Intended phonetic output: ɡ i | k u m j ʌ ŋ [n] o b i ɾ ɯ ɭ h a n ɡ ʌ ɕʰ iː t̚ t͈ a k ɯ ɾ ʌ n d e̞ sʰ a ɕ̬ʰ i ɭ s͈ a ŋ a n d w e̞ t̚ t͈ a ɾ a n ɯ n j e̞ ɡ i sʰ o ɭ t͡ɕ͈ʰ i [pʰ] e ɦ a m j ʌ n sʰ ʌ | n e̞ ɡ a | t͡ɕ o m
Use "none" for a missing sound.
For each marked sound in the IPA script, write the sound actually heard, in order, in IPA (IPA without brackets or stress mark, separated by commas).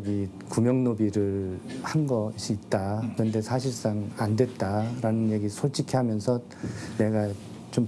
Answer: n, kʰ